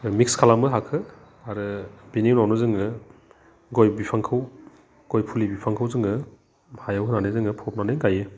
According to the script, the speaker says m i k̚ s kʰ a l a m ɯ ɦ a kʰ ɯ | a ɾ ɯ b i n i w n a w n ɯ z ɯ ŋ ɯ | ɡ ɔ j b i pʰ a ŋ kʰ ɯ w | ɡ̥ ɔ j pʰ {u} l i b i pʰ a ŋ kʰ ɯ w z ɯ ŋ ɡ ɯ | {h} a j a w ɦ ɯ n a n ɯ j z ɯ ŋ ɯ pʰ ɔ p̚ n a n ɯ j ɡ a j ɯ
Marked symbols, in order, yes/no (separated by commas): yes, yes